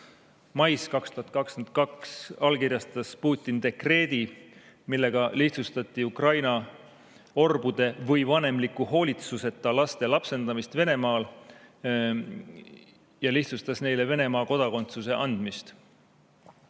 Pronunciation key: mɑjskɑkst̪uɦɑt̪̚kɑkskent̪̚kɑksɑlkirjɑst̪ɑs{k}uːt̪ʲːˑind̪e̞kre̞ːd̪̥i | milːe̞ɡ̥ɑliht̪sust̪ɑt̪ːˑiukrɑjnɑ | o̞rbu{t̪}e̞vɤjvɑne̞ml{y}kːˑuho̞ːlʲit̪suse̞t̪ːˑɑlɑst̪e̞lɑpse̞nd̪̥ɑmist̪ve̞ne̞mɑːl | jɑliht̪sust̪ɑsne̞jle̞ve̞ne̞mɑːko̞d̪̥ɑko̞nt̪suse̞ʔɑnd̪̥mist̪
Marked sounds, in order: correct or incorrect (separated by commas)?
incorrect, incorrect, incorrect